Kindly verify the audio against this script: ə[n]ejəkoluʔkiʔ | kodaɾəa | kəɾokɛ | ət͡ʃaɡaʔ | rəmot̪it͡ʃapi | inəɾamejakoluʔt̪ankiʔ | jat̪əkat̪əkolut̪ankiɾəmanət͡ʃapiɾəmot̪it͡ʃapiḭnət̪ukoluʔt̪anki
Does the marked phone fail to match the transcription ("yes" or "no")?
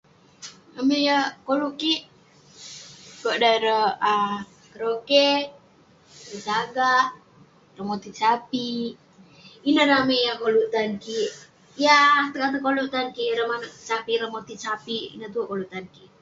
yes